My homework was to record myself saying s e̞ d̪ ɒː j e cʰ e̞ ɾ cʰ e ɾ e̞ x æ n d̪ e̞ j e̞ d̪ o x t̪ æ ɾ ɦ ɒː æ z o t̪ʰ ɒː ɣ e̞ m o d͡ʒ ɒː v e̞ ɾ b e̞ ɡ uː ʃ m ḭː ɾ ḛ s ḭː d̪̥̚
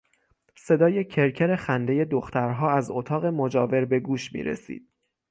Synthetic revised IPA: s e̞ d̪ ɒː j e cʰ e̞ ɾ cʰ e ɾ e̞ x æ n d̪ e̞ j e̞ d̪ o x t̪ æ ɾ ɦ ɒː æ z o t̪ʰ ɒː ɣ e̞ m o d͡ʒ ɒː v e̞ ɾ b e̞ ɡ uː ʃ m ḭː ɾ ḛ s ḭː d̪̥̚